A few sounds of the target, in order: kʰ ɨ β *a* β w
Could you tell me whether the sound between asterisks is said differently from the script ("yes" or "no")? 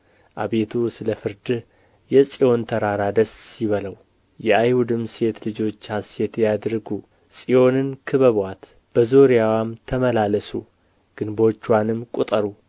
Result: yes